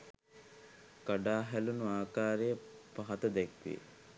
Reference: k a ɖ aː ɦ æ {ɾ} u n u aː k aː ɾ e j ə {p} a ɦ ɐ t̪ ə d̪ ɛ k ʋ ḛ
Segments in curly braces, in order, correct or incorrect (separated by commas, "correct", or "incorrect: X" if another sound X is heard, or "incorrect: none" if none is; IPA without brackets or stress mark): incorrect: l, correct